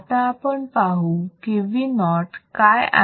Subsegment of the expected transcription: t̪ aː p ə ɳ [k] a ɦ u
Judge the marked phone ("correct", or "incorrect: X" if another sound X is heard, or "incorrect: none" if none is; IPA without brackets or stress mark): incorrect: p